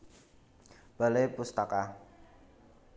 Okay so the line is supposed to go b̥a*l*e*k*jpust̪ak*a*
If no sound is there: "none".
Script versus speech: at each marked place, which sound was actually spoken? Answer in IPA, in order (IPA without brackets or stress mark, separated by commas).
l, none, a